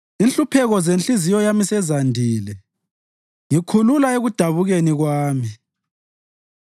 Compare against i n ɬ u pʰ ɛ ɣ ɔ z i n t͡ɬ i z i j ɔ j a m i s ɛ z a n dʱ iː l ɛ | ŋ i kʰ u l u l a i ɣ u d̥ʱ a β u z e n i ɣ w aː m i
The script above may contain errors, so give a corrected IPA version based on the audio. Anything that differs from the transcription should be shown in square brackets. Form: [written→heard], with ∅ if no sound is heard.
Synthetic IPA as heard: i n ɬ u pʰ ɛ ɣ ɔ z [i→e] n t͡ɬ i z i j ɔ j a m i s ɛ z a n dʱ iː l ɛ | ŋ i kʰ u l u l a [i→e] ɣ u d̥ʱ a β u [z→ɣ] e n i ɣ w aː m i